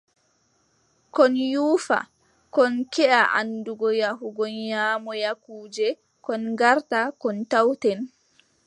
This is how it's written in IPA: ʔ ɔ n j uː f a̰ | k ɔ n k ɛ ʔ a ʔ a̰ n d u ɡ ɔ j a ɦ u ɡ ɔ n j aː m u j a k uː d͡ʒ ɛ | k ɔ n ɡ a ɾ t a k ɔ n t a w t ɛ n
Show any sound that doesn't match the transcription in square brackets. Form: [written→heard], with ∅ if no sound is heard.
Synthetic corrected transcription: [ʔ→k] ɔ n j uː f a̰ | k ɔ n k ɛ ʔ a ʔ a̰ n d u ɡ ɔ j a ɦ u ɡ ɔ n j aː m [u→ɔ] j a k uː d͡ʒ ɛ | k ɔ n ɡ a ɾ t a k ɔ n t a w t ɛ n